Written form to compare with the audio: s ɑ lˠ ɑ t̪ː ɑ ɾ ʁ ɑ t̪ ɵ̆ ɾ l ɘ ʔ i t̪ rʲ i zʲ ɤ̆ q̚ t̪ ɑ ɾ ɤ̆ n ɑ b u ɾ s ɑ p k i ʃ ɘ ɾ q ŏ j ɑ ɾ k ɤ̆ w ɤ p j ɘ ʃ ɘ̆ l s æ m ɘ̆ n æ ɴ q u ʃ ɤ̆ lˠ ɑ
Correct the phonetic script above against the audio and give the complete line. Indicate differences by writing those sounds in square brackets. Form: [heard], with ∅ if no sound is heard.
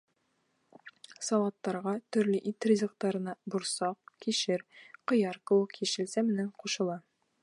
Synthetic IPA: s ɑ lˠ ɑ t̪ː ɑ ɾ ʁ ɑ t̪ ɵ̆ ɾ l ɘ ʔ i t̪ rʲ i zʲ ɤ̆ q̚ t̪ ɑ ɾ ɤ̆ n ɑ b u ɾ s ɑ [q] k i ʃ ɘ ɾ q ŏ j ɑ ɾ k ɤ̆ w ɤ [q] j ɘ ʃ ɘ̆ l s æ m ɘ̆ n æ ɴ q u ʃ ɤ̆ lˠ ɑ